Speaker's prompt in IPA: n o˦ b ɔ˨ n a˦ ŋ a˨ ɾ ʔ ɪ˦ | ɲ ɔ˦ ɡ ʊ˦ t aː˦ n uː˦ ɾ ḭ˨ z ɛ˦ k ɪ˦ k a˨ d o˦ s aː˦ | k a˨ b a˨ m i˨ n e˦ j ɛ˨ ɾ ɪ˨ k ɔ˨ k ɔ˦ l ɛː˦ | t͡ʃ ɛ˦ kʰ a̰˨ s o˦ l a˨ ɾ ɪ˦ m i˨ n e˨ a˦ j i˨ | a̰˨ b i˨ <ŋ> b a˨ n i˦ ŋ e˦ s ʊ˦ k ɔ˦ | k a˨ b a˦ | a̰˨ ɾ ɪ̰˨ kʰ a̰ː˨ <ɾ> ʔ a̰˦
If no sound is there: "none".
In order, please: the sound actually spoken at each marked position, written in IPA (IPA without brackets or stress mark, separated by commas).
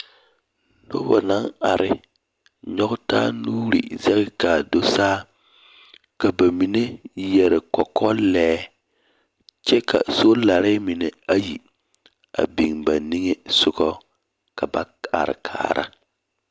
ŋ, ɾ